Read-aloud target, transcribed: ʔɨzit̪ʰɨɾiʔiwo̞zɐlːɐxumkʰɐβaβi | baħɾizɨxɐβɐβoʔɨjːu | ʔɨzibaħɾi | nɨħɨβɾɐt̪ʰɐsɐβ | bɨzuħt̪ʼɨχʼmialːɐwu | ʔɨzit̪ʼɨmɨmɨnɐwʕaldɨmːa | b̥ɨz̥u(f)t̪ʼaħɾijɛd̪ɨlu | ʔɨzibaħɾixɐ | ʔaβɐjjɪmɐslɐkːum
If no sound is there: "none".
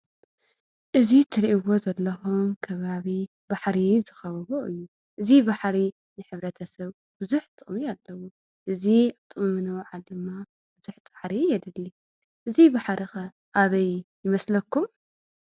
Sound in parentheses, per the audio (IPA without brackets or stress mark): ħ